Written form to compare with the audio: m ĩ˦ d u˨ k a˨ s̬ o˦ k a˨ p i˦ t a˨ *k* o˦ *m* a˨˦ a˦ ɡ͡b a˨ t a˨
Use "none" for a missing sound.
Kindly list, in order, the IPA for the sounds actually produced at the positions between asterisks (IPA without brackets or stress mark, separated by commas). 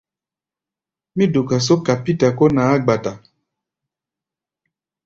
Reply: k, n